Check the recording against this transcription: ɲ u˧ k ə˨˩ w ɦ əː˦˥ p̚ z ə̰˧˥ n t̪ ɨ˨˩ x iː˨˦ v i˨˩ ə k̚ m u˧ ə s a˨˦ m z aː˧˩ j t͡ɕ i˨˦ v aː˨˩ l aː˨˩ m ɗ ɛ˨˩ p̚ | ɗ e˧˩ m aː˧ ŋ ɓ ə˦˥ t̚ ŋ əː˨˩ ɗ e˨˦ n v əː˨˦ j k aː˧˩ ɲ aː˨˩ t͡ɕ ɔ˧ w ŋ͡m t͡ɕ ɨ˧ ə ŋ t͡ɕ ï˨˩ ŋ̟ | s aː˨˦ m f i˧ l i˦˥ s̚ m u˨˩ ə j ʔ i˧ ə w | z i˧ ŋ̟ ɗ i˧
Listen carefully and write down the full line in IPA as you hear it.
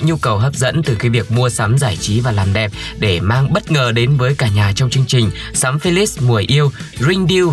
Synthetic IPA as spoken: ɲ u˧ k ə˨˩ w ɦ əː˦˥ p̚ z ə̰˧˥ n t̪ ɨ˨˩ x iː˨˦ v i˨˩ ə k̚ m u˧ ə s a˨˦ m z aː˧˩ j t͡ɕ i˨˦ v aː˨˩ l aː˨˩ m ɗ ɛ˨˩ p̚ | ɗ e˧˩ m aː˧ ŋ ɓ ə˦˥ t̚ ŋ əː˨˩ ɗ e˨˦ n v əː˨˦ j k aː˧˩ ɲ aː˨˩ t͡ɕ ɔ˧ w ŋ͡m t͡ɕ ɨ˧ ə ŋ t͡ɕ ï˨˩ ŋ̟ | s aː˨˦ m f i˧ l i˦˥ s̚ m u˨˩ ə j ʔ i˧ ə w | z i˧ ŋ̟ ɗ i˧